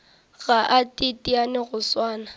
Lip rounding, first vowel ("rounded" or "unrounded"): unrounded